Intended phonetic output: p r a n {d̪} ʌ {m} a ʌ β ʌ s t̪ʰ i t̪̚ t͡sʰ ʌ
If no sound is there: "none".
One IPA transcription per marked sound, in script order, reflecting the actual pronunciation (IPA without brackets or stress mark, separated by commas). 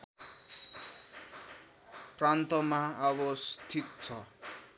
t̪, m